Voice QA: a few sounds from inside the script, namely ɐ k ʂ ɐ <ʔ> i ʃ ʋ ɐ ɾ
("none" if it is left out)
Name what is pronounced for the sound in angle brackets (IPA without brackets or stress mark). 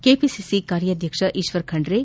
ʔ